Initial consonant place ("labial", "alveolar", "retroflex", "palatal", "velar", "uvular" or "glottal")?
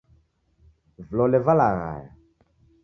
labial